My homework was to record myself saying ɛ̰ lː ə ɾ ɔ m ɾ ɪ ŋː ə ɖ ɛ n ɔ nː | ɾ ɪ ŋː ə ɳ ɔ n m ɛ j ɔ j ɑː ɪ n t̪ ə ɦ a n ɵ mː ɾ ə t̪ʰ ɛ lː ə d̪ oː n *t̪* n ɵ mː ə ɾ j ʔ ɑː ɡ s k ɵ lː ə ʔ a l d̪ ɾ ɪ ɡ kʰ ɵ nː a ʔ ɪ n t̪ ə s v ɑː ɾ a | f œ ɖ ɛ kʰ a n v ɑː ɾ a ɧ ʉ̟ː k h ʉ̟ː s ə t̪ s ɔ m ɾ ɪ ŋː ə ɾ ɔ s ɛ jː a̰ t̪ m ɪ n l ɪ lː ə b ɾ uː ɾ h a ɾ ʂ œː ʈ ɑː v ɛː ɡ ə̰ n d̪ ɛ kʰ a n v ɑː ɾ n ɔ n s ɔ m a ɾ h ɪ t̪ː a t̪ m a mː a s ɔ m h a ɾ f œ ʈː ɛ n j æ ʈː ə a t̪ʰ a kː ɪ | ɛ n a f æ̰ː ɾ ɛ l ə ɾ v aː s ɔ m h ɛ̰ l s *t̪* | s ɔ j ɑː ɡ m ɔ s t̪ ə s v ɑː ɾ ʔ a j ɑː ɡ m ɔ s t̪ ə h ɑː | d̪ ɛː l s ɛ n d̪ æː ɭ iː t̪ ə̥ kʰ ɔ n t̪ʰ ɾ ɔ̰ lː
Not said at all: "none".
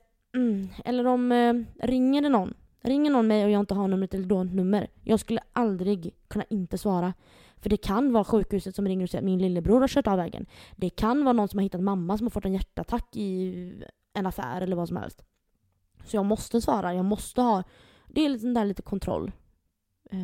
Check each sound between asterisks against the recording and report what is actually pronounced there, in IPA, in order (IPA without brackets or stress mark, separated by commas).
t̪, t̪